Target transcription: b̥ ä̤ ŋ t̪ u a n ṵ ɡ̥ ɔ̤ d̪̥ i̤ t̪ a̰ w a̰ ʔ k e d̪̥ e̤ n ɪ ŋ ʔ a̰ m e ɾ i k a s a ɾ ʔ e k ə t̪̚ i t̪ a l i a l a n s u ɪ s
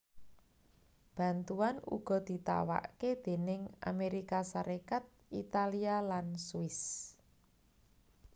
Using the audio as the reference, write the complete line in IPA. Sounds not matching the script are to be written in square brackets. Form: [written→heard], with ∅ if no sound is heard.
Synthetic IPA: b̥ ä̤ [ŋ→n] t̪ u a n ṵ ɡ̥ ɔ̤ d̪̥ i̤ t̪ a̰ w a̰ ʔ k e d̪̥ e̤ n ɪ ŋ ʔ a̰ m e ɾ i k a s a ɾ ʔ e k [ə→a] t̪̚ i t̪ a l i a l a n s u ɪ s